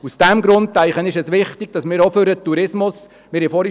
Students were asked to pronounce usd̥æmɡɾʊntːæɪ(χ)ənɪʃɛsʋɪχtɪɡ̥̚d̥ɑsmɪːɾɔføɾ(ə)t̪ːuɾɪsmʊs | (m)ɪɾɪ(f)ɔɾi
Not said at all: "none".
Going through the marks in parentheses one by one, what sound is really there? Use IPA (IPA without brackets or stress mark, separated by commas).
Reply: χ, ə, m, f